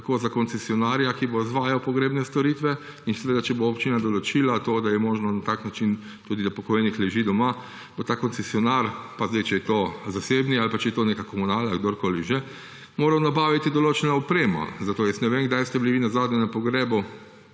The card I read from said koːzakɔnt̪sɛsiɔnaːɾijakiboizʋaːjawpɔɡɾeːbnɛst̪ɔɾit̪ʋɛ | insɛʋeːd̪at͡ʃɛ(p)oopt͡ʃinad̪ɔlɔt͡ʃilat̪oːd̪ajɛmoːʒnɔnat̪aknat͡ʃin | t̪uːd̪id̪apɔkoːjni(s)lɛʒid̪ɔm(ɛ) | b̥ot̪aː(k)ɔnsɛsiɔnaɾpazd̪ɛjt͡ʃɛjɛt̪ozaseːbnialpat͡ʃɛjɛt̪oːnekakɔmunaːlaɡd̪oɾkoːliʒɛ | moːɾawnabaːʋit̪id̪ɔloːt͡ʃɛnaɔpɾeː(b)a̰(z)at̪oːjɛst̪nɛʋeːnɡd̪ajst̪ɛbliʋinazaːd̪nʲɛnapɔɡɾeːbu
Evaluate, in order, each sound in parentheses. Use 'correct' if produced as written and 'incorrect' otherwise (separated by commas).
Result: incorrect, incorrect, incorrect, correct, incorrect, correct